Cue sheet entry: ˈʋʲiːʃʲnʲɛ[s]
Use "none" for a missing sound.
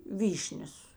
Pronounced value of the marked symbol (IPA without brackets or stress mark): s